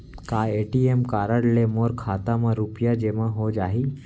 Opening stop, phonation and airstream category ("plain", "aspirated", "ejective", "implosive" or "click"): plain